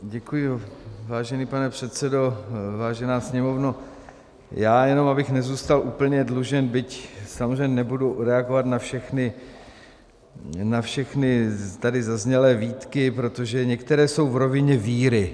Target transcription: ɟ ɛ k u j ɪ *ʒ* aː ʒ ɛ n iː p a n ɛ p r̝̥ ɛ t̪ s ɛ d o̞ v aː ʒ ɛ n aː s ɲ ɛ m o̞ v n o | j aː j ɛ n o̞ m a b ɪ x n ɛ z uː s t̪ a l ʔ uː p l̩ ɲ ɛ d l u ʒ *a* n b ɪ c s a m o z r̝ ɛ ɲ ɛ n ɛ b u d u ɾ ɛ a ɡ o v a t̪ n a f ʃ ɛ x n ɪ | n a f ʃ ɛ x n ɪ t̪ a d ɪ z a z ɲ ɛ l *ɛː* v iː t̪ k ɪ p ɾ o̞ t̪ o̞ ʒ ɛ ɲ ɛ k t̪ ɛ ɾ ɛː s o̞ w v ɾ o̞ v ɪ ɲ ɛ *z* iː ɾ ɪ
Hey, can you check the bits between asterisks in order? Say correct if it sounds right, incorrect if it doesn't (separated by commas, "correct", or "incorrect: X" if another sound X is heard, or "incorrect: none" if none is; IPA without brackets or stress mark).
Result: incorrect: v, incorrect: ɛ, correct, incorrect: v